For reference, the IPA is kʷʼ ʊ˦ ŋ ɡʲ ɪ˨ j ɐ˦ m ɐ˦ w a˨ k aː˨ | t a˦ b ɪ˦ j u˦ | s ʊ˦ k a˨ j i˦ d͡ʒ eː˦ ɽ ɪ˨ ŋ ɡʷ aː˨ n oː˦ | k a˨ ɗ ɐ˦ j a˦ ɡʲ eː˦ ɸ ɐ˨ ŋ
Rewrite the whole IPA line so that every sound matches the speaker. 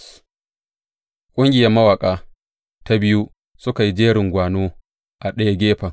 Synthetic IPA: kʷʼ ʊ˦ ŋ ɡʲ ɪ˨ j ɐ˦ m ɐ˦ w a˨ kʼ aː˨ | t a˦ b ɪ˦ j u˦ | s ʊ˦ k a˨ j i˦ d͡ʒ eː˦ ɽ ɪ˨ ŋ ɡʷ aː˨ n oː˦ | ʔ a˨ ɗ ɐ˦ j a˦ ɡʲ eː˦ ɸ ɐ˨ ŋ